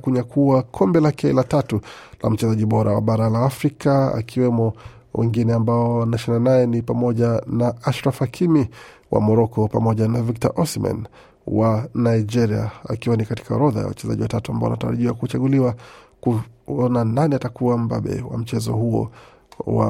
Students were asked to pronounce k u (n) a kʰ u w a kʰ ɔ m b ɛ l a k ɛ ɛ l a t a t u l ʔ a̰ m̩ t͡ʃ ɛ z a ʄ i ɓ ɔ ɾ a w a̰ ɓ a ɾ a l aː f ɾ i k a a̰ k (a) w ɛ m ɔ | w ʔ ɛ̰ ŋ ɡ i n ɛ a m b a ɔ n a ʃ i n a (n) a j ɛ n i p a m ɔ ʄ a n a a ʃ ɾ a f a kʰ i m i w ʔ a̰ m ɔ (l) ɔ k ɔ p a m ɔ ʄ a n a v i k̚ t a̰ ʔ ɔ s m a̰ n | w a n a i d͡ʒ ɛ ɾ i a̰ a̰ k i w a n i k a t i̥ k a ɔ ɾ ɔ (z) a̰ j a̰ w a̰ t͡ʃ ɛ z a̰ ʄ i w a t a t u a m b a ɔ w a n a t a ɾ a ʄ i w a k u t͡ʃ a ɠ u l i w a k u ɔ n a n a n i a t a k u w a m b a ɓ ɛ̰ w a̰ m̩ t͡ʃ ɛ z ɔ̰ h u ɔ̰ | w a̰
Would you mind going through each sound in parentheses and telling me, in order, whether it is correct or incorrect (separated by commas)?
incorrect, incorrect, correct, incorrect, incorrect